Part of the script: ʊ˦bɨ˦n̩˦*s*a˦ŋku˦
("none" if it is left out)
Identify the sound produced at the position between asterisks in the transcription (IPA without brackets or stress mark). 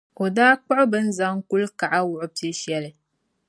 z